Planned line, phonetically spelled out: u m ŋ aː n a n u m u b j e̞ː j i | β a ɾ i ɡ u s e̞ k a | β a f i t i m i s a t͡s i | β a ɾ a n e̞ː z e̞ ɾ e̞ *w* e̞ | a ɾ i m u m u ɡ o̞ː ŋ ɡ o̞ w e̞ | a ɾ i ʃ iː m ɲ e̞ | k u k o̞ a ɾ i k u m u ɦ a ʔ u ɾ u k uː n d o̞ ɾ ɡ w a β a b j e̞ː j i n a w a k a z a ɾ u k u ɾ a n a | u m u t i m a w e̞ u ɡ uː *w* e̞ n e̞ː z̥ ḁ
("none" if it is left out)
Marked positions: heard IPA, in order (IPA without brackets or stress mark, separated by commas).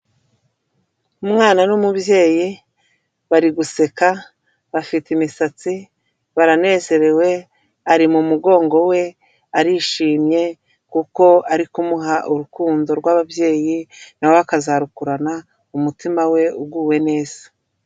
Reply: w, w